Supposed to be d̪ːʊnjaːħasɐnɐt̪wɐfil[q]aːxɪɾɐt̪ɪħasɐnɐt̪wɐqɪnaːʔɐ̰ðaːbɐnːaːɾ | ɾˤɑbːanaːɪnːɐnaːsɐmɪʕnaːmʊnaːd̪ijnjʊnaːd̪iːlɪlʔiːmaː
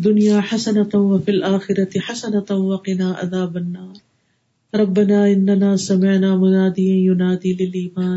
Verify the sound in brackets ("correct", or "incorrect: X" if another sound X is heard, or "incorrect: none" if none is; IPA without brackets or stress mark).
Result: incorrect: ʔ